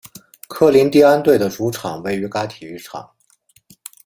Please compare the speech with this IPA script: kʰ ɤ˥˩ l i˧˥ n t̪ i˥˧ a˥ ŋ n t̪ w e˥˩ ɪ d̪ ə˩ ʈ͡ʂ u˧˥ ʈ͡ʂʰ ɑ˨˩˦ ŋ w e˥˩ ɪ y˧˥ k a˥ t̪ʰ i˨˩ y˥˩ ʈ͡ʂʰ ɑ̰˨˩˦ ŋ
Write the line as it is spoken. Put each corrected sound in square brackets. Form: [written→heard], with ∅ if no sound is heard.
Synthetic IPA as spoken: kʰ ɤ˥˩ l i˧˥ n t̪ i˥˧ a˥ [ŋ→∅] n t̪ w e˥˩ ɪ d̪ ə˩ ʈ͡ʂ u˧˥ ʈ͡ʂʰ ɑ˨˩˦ ŋ w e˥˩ ɪ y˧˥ k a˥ t̪ʰ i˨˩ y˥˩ ʈ͡ʂʰ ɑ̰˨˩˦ ŋ